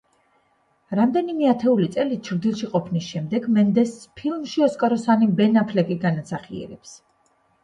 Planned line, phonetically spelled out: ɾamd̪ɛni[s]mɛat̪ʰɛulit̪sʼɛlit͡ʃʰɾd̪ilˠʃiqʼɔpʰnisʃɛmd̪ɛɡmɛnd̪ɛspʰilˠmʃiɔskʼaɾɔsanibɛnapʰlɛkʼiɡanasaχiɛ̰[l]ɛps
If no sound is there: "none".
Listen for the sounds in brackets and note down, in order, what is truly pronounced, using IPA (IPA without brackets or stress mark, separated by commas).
none, ɾ